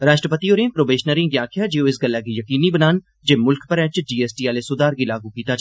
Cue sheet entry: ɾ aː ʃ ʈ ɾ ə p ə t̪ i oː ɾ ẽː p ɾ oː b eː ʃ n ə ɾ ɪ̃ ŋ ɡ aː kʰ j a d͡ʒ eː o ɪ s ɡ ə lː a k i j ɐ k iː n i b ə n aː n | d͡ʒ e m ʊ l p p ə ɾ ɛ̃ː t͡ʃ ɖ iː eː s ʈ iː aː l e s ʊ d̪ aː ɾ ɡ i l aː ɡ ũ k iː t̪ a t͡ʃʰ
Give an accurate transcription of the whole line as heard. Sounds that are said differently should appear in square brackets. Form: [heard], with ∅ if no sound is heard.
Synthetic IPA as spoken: ɾ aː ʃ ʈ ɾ ə p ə t̪ i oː ɾ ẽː p ɾ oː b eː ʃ n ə ɾ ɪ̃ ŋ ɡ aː kʰ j a d͡ʒ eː o ɪ s ɡ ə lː a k i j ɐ k iː n i b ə n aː n | d͡ʒ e m ʊ l [k] p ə ɾ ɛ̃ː t͡ʃ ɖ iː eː s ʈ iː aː l e s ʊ d̪ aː ɾ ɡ i l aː ɡ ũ k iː t̪ a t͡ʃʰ